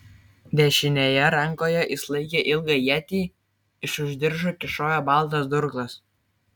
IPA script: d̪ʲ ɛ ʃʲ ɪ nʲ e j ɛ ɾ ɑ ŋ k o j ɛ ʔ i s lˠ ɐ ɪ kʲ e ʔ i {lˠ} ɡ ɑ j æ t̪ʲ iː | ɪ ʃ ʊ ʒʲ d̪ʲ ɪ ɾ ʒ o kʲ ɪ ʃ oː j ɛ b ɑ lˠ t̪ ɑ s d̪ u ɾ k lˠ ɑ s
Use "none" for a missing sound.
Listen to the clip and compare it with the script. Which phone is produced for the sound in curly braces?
lˠ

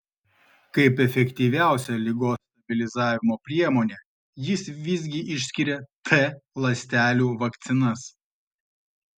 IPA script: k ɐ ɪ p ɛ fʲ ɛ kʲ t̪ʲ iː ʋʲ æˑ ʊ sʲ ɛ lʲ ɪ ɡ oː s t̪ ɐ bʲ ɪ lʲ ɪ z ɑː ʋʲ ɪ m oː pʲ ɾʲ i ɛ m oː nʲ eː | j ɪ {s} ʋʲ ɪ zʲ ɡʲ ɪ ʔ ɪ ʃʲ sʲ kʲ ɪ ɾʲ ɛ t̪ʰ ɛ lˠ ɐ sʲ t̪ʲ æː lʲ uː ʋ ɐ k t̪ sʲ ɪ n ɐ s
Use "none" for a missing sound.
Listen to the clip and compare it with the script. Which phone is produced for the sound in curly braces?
s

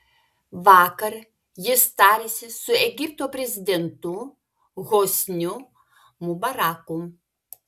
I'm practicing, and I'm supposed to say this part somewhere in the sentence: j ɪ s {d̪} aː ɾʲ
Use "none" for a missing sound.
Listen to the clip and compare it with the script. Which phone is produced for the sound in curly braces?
t̪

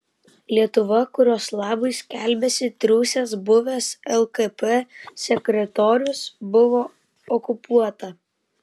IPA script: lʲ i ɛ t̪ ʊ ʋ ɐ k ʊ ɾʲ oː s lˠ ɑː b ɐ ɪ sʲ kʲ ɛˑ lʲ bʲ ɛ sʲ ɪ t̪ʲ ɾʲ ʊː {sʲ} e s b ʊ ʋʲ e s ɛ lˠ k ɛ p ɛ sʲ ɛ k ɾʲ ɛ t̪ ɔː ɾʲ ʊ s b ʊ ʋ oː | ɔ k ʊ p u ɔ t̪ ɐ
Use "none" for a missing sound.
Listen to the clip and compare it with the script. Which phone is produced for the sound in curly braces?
sʲ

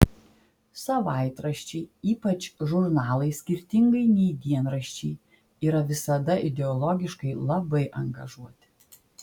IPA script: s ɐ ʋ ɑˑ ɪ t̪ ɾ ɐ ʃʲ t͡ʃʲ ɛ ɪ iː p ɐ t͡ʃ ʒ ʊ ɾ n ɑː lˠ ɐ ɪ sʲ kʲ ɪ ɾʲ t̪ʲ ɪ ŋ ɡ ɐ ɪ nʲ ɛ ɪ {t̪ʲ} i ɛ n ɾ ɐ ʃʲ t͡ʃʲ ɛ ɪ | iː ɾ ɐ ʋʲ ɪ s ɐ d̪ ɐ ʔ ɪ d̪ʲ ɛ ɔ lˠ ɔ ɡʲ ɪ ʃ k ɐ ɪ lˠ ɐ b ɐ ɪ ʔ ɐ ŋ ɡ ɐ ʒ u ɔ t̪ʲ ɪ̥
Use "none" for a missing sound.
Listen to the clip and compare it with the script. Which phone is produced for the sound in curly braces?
d̪ʲ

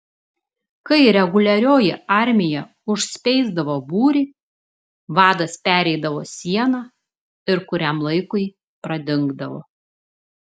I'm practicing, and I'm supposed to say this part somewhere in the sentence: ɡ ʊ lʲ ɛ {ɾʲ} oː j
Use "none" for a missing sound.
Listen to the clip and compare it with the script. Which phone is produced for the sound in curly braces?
ɾʲ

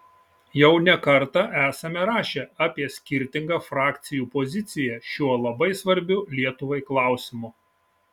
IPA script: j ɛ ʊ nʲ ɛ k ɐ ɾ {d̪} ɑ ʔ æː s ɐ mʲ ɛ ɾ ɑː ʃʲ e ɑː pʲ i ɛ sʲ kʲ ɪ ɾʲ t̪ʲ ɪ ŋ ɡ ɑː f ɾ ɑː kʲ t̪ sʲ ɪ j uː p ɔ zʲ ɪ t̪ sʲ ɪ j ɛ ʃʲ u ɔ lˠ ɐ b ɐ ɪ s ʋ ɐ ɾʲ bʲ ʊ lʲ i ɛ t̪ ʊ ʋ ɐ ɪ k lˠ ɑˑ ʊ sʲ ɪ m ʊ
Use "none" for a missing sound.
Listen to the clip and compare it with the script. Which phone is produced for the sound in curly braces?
t̪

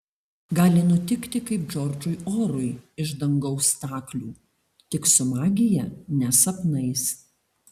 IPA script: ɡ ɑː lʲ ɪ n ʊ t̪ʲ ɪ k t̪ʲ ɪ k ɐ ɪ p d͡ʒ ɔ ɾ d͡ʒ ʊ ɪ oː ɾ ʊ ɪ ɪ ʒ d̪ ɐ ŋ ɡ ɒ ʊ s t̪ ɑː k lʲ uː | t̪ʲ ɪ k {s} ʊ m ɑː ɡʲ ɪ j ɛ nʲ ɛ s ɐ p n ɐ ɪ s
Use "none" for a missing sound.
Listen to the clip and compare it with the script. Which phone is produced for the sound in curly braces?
s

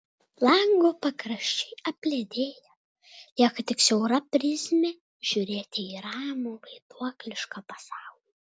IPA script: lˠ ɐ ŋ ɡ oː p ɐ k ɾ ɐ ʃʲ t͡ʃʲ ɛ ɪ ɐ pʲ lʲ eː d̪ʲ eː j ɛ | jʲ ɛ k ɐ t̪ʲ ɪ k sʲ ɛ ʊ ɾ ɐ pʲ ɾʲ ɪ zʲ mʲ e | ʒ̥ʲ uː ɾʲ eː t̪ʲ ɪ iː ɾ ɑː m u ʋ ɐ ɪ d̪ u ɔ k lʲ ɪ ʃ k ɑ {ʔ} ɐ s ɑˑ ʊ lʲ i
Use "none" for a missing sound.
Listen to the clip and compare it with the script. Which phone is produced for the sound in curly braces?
p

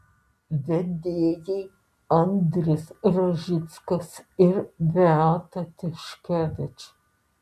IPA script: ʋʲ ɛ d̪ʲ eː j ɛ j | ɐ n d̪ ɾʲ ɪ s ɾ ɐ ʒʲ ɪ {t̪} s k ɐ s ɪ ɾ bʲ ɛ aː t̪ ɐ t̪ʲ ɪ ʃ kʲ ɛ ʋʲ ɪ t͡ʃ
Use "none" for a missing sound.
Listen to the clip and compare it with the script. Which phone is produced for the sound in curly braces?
t̪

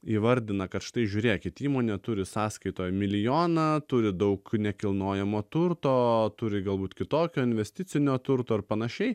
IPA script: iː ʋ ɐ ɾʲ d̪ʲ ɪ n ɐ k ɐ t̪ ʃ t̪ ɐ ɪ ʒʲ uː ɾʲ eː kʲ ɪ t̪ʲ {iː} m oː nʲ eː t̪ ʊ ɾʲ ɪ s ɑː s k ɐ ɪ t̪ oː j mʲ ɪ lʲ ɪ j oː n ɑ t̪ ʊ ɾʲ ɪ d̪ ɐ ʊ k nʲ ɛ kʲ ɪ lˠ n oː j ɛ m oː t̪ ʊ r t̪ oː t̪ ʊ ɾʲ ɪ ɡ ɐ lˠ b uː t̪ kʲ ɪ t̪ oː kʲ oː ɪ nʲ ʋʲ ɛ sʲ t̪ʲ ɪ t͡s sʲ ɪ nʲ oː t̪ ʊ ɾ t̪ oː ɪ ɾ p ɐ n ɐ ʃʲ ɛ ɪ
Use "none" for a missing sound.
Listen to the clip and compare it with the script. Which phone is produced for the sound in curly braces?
iː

